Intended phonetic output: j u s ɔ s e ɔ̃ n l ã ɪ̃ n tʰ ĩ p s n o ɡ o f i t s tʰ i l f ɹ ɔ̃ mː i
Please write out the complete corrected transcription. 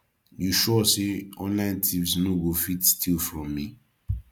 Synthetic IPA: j u ʃ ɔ s e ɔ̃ n l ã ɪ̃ n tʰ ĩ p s n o ɡ o f i t s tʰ i l f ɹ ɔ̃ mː i